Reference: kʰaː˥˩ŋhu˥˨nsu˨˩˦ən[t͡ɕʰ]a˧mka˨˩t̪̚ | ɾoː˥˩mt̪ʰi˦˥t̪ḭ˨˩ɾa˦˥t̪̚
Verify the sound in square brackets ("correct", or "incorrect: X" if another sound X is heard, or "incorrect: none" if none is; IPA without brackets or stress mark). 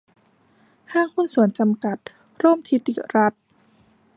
incorrect: t͡ɕ